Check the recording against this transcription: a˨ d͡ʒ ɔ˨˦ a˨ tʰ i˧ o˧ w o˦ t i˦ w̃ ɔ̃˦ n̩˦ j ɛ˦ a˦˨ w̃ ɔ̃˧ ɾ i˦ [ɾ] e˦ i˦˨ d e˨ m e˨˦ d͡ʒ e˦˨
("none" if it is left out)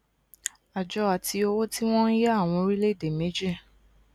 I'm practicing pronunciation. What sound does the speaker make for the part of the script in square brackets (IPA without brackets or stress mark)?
l